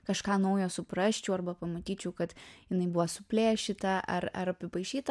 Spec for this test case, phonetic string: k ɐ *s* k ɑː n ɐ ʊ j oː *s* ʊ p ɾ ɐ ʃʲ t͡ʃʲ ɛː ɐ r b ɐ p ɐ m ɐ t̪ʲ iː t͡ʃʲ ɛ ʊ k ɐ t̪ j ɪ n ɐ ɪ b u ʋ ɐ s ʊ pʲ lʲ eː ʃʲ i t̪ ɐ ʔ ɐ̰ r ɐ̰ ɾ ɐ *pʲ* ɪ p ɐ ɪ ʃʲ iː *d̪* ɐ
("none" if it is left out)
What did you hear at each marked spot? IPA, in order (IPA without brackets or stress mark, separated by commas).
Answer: ʃ, s, pʲ, t̪